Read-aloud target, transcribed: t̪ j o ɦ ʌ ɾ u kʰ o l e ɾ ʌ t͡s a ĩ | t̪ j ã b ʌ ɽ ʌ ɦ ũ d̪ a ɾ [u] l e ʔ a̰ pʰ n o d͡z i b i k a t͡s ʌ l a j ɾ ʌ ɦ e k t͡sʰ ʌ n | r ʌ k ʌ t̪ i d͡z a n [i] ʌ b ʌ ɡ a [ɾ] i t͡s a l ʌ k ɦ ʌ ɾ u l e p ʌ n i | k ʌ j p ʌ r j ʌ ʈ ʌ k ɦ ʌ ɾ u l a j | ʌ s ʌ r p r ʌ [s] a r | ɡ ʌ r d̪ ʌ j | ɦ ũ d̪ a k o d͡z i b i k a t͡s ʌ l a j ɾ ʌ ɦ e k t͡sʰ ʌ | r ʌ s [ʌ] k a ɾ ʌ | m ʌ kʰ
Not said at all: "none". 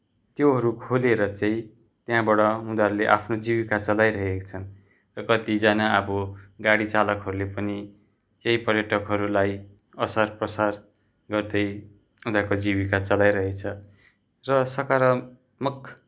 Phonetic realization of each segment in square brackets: u, a, ɽ, s, ʌ

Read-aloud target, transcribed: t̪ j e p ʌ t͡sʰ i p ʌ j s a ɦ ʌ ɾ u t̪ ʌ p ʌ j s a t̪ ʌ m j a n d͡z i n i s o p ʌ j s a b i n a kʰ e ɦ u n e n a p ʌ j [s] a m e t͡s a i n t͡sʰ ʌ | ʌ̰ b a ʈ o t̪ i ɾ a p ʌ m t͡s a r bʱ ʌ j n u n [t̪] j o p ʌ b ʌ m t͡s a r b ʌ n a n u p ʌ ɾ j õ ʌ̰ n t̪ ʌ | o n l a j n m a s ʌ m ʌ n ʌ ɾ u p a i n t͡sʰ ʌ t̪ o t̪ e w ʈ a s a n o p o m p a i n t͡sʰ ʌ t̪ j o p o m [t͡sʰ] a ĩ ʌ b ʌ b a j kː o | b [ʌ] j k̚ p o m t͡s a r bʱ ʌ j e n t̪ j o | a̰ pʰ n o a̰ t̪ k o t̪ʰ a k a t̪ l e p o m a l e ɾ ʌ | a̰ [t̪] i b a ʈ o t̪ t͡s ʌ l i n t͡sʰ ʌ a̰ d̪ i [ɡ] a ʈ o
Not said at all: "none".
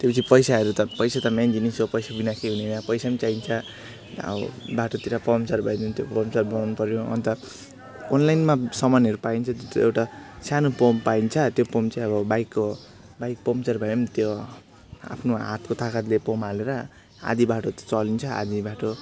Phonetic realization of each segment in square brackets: s, t̪, t͡s, a, d̪, b

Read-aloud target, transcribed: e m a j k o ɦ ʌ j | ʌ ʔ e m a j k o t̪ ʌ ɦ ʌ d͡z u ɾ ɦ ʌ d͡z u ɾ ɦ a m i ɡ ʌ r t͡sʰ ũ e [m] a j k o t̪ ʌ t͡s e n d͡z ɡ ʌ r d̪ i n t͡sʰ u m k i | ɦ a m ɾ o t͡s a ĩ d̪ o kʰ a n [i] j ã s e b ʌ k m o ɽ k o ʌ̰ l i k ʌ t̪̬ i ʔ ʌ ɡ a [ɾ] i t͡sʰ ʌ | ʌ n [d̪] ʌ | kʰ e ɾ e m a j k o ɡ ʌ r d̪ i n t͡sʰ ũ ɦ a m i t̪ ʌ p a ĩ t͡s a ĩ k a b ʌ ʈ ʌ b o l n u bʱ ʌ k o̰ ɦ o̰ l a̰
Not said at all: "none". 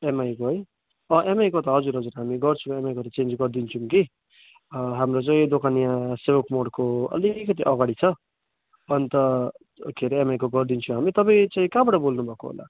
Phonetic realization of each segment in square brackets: m, i, ɽ, t̪

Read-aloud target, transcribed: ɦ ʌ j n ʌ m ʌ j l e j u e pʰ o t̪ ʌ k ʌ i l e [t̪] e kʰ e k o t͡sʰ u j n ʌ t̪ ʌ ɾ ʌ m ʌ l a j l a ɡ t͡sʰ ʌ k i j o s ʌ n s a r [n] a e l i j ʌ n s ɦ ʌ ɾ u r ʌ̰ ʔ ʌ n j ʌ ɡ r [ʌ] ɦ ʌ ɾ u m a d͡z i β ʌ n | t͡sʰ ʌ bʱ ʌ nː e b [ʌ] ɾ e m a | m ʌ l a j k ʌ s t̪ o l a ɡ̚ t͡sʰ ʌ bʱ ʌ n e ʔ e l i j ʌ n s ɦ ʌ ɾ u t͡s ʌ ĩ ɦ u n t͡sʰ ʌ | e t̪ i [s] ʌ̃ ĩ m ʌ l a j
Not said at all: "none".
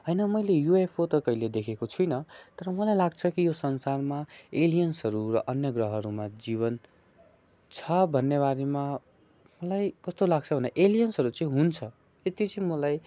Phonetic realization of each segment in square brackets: d̪, m, ʌ, a, t͡s

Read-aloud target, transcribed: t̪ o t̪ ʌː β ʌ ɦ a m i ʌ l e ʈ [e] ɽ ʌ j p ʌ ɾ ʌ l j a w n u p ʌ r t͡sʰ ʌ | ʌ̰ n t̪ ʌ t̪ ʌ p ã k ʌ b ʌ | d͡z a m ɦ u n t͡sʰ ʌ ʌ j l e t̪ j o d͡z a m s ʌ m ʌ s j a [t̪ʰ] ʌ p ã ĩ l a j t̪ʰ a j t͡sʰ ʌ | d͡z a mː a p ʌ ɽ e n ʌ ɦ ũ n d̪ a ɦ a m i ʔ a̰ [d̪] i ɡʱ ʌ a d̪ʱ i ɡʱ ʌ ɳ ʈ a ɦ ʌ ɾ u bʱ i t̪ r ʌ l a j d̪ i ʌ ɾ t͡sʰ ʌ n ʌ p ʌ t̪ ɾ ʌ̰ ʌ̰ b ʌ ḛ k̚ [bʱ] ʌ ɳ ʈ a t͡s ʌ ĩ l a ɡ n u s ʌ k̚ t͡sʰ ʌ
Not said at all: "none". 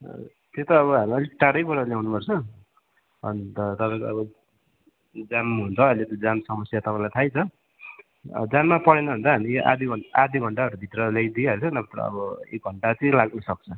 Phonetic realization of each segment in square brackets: a, t̪, d̪, ɡʱ

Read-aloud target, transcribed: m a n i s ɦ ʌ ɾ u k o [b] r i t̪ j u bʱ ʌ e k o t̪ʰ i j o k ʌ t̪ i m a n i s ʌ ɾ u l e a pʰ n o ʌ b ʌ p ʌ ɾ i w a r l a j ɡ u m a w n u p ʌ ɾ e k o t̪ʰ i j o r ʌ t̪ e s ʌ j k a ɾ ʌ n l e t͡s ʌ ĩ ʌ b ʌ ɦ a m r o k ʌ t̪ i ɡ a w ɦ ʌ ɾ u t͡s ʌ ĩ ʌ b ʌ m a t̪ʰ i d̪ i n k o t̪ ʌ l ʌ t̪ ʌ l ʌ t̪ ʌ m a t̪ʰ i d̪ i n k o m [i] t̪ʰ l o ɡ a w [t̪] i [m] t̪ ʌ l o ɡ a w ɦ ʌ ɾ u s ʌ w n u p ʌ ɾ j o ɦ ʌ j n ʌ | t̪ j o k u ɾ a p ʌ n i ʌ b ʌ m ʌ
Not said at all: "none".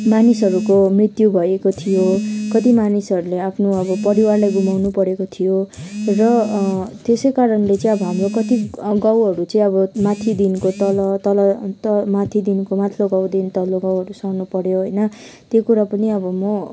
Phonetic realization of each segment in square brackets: m, a, d̪, n

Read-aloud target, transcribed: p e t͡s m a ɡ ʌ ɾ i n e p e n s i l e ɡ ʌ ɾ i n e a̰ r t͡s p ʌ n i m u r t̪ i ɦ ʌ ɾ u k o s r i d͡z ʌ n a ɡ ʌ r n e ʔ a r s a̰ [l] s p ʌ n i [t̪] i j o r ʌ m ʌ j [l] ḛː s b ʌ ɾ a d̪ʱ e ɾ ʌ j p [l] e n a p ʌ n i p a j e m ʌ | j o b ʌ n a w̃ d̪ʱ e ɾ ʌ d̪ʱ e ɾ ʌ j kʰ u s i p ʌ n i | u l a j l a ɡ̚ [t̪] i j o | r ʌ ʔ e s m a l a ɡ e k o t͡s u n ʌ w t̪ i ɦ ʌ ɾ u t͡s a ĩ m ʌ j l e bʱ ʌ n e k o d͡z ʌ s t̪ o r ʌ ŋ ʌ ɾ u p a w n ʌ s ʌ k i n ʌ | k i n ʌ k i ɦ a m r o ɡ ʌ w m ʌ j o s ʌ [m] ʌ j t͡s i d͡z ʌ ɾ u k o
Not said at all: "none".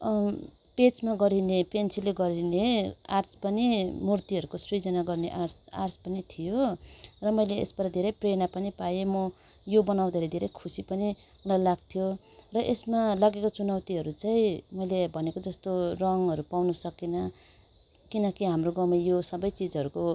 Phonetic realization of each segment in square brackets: r, t̪ʰ, l, r, t̪ʰ, b

